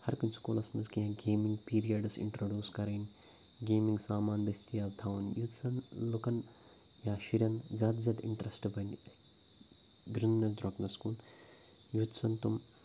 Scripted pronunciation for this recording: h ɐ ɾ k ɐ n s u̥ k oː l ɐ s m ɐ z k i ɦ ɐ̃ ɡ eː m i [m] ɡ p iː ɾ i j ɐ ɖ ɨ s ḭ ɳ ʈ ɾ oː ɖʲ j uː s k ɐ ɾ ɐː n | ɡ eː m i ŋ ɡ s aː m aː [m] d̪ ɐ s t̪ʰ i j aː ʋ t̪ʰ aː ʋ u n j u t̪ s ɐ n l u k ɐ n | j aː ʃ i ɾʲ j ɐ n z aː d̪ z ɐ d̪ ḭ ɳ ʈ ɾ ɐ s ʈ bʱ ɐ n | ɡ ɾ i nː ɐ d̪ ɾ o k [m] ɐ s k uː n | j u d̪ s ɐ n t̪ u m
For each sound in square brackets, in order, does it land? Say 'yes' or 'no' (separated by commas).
no, no, no